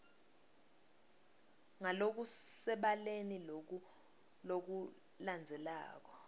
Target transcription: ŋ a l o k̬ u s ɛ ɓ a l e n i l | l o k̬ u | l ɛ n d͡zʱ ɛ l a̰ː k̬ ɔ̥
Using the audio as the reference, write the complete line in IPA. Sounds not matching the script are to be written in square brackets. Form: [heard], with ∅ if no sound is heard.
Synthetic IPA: ŋ a l o k̬ u s ɛ ɓ a l e n i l | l o k̬ u | l [a] n d͡zʱ ɛ l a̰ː k̬ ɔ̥